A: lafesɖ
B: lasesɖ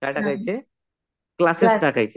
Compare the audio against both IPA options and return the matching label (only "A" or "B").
B